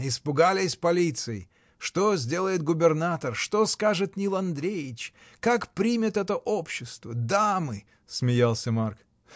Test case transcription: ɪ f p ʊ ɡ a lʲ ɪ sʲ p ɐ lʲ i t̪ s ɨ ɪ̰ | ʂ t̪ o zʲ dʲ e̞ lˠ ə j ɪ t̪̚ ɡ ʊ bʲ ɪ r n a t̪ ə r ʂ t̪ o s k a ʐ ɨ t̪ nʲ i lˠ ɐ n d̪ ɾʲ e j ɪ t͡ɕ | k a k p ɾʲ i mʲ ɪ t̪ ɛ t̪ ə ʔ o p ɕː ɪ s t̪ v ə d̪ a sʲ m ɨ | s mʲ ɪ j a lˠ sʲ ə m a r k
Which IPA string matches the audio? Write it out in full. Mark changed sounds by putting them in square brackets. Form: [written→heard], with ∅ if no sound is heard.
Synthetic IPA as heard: ɪ [f→s] p ʊ ɡ a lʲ ɪ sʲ p ɐ lʲ i t̪ s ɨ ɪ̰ | ʂ t̪ o zʲ dʲ e̞ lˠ ə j ɪ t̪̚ ɡ ʊ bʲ ɪ r n a t̪ ə r ʂ t̪ o s k a ʐ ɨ t̪ nʲ i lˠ ɐ n d̪ ɾʲ e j ɪ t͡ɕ | k a k p ɾʲ i mʲ ɪ t̪ ɛ t̪ ə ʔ o p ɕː ɪ s t̪ v ə d̪ a [sʲ→∅] m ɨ | s mʲ ɪ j a lˠ sʲ ə m a r k